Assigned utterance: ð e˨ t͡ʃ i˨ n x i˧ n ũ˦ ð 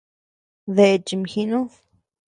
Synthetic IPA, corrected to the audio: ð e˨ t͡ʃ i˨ m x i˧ n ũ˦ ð